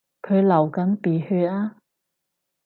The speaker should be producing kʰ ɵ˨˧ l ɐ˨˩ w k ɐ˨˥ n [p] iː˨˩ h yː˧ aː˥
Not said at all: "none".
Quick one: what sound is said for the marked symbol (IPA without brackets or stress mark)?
p